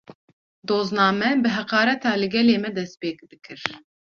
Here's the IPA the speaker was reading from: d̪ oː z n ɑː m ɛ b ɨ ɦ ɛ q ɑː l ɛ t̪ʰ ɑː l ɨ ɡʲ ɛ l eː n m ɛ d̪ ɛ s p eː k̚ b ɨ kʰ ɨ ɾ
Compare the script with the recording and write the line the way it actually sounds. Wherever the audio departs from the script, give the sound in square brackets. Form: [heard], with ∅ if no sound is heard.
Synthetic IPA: d̪ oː z n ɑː m ɛ b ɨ ɦ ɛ q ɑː [ɾ] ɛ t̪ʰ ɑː l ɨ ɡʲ ɛ l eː [∅] m ɛ d̪ ɛ s p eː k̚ b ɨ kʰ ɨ ɾ